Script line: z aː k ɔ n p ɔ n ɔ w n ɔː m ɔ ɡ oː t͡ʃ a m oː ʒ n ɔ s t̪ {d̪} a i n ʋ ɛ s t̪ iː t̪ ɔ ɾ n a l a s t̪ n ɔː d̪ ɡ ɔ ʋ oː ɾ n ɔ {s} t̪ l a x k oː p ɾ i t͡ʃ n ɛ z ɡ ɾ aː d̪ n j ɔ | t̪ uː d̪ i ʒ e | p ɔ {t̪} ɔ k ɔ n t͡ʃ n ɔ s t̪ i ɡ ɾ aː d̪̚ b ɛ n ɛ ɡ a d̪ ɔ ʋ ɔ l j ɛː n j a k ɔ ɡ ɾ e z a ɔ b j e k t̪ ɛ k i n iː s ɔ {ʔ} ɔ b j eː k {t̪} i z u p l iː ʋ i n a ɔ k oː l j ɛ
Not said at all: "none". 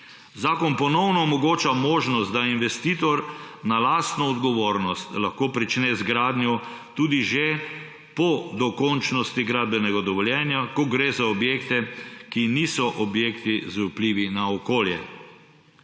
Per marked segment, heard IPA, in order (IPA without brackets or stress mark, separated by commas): d̪, s, d̪, ʔ, t̪